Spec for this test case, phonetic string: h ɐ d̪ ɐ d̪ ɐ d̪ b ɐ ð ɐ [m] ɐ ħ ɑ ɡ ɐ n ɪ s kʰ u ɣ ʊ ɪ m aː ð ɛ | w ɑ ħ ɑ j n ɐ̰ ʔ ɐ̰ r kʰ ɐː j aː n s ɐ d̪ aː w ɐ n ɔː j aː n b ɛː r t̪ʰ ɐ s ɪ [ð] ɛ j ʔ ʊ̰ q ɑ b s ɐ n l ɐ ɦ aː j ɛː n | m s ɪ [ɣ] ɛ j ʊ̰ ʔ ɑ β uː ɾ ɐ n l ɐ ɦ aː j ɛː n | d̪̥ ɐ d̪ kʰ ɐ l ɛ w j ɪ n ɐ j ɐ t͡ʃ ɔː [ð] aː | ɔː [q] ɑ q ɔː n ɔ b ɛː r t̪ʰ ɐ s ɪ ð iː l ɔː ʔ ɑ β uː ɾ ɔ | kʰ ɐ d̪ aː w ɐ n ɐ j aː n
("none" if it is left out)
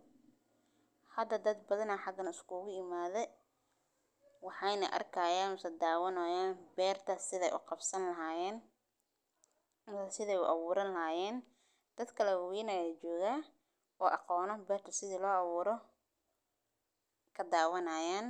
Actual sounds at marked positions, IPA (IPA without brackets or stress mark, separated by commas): n, ð, ð, ɣ, ʔ